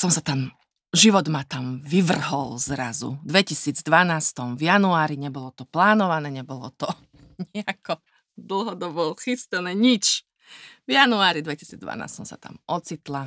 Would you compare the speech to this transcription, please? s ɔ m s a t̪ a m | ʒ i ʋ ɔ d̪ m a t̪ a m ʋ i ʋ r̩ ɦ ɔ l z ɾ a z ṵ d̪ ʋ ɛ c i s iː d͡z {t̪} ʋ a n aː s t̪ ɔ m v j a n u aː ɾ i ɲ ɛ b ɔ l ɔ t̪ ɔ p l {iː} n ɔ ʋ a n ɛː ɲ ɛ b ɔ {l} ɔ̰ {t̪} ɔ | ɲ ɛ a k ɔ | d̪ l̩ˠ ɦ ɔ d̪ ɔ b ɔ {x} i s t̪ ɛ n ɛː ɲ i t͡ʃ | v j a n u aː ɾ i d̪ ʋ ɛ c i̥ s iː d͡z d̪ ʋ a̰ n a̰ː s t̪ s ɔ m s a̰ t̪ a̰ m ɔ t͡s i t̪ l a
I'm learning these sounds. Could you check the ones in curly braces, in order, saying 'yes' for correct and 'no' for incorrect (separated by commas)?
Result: no, no, yes, yes, yes